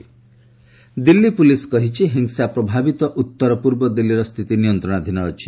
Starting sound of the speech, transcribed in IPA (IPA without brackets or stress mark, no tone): d̪